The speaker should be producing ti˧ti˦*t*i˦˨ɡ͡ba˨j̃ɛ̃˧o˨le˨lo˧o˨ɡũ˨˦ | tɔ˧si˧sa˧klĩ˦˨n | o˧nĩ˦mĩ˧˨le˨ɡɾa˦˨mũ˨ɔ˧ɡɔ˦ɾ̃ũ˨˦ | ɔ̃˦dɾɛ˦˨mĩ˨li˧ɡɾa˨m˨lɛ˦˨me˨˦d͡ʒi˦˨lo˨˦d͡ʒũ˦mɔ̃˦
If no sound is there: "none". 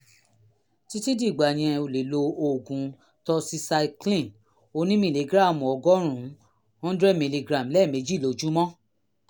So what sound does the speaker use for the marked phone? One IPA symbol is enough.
d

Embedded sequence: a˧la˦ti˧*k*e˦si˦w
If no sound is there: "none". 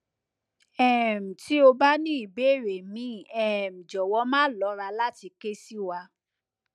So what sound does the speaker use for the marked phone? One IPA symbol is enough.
k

